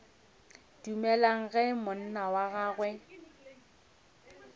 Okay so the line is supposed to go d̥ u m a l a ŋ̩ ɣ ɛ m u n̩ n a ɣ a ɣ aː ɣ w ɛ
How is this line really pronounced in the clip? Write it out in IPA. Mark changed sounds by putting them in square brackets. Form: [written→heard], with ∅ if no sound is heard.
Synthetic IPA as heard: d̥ u m [a→ɛ] l a ŋ̩ ɣ ɛ m [u→ʊ] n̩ n a [ɣ→w] a ɣ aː ɣ w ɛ